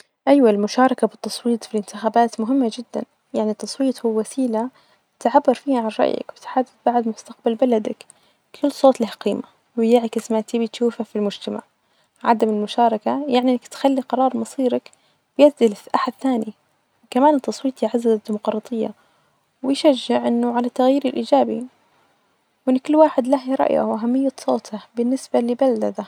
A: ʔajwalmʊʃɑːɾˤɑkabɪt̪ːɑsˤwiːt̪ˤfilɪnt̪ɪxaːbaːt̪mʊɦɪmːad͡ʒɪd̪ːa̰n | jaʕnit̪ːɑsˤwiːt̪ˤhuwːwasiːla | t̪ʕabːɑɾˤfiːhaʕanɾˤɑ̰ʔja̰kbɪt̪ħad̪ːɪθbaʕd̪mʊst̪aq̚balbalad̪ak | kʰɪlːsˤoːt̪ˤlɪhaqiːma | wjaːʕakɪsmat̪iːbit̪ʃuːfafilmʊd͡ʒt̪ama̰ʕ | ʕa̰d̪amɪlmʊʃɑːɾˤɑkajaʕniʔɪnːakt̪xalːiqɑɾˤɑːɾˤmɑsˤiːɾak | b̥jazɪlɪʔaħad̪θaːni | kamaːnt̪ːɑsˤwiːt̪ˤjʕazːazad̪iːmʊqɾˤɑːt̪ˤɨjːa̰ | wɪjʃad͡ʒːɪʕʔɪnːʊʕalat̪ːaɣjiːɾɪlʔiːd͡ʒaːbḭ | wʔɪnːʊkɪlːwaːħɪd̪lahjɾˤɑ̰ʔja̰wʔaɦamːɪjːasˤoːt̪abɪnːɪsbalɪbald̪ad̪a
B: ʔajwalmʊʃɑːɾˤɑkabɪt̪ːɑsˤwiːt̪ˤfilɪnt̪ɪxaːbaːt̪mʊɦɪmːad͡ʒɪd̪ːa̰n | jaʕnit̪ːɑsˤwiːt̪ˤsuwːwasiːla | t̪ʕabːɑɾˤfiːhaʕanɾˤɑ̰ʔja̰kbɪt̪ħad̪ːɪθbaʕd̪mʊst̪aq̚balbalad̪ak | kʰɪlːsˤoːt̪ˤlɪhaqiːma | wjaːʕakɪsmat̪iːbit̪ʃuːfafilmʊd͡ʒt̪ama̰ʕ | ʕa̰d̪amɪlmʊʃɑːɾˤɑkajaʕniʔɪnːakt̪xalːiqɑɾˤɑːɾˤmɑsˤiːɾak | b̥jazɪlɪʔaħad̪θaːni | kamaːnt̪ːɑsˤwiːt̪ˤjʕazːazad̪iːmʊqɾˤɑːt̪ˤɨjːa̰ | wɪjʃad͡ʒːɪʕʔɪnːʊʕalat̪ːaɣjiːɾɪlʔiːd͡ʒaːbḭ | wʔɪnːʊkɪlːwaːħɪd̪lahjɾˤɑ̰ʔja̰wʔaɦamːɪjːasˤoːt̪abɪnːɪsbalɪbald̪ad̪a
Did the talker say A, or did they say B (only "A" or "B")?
A